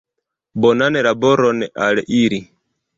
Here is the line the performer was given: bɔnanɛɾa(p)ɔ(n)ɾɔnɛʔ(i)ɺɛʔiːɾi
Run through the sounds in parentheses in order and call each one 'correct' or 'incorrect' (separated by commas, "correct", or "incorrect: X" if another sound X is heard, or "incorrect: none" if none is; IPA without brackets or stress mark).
incorrect: b, incorrect: none, incorrect: a